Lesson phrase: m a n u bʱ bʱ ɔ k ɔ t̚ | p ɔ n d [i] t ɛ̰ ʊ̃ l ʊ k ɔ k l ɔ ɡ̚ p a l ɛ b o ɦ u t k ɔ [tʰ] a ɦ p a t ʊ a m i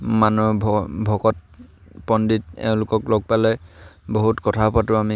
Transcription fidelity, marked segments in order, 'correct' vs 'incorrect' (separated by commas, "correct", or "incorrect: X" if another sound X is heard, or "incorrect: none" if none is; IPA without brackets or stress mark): correct, correct